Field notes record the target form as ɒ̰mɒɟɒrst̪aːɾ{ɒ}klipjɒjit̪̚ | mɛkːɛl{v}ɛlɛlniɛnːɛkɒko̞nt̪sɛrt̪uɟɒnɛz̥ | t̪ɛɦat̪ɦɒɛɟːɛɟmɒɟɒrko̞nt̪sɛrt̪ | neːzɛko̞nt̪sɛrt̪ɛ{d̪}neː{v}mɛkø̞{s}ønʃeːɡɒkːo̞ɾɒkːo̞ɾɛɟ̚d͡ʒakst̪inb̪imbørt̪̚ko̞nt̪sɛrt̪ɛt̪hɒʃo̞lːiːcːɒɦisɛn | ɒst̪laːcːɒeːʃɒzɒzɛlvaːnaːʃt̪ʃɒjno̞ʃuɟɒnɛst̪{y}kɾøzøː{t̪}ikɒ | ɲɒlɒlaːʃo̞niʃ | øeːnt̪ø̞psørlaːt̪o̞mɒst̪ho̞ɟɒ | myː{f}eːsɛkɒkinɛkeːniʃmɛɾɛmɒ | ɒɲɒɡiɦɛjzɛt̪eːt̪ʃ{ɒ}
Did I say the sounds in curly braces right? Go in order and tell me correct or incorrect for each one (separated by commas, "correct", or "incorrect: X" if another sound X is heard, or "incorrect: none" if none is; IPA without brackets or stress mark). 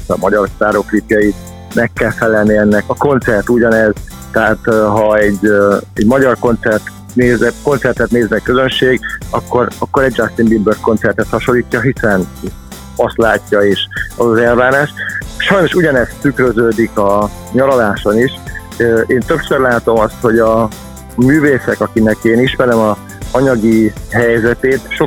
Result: incorrect: o, incorrect: f, incorrect: t̪, incorrect: z, incorrect: z, correct, incorrect: d̪, incorrect: v, incorrect: o